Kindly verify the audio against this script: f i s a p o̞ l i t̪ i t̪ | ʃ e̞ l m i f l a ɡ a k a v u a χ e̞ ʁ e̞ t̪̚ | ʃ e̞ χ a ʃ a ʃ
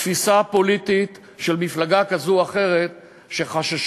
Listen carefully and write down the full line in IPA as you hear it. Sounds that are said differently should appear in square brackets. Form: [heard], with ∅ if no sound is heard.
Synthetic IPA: f i s a p o̞ l i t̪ i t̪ | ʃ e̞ l m i f l a ɡ a k a [z] u a χ e̞ ʁ e̞ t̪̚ | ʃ e̞ χ a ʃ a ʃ